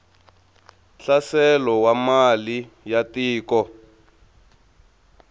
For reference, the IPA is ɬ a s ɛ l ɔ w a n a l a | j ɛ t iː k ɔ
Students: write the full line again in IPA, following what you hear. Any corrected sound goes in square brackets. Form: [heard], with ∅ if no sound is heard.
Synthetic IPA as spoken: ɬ a s ɛ l ɔ w a [m] a l [i] | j [a] t iː k ɔ